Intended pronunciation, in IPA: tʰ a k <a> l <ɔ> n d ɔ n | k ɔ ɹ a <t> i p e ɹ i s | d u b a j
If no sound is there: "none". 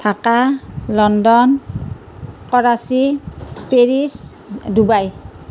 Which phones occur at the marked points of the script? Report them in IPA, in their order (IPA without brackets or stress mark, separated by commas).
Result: a, ɔ, s